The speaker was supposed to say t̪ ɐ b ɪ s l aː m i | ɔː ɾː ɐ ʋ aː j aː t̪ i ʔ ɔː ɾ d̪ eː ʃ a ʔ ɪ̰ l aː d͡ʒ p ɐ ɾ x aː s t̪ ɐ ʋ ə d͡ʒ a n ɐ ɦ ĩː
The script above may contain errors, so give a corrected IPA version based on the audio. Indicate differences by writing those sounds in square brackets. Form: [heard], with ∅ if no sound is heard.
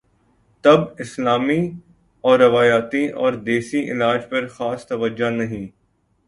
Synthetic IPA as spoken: t̪ ɐ b ɪ s l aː m i | ɔː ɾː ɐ ʋ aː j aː t̪ i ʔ ɔː ɾ d̪ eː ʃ [i] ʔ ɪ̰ l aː d͡ʒ p ɐ ɾ x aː s t̪ ɐ ʋ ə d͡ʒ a n ɐ ɦ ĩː